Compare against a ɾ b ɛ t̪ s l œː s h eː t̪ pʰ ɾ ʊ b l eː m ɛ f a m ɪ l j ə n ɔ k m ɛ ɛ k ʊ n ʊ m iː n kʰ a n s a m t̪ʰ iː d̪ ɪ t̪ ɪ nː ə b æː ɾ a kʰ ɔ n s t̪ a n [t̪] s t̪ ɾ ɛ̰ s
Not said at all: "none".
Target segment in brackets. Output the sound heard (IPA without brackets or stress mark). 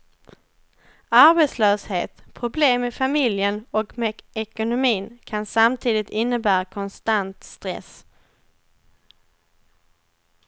t̪